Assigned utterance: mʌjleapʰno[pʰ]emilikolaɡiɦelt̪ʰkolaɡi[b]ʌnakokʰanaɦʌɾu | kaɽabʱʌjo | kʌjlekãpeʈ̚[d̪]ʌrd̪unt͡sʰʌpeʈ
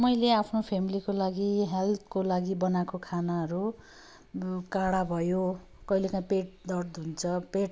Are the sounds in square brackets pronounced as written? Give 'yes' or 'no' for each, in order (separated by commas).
yes, yes, yes